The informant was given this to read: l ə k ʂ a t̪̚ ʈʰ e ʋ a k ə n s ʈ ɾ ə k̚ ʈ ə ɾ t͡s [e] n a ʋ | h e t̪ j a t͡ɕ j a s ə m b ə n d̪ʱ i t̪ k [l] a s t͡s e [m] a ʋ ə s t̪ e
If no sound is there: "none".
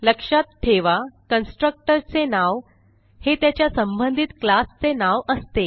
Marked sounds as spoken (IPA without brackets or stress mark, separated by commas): e, l, n